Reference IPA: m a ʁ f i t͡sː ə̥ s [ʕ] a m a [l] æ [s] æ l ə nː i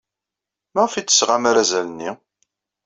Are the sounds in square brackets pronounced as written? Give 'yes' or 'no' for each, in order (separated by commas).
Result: no, no, no